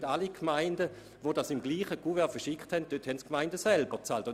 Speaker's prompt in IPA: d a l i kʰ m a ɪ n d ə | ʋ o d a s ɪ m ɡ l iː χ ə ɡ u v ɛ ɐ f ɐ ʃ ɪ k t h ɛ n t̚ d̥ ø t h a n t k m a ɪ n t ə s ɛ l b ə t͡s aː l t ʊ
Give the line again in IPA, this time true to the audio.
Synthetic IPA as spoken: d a l i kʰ m a ɪ n d ə | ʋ o d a s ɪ m ɡ l iː χ ə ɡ u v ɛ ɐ f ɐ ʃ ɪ k t h ɛ n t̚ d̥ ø t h ɛ n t k m a ɪ n d ə s ɛ l b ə t͡s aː l t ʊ